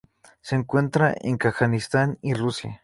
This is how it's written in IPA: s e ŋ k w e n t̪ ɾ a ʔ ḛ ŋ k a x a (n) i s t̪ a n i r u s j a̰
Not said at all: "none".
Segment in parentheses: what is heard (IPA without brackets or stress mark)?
n